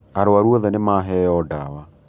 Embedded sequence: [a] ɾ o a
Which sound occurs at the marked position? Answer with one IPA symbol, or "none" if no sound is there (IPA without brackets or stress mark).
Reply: a